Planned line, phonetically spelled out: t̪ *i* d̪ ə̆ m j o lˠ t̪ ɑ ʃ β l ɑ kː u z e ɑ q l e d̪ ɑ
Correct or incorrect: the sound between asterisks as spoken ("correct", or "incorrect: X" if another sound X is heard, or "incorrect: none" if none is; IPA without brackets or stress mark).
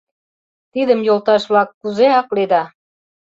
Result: correct